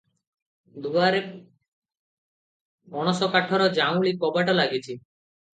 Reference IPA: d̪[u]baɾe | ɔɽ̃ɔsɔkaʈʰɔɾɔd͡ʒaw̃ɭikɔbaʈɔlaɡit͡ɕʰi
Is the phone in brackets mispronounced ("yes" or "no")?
no